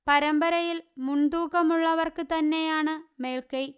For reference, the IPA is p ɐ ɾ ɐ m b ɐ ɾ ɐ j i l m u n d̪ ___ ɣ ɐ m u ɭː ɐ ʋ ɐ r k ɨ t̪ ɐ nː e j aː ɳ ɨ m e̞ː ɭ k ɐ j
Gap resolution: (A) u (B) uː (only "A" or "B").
B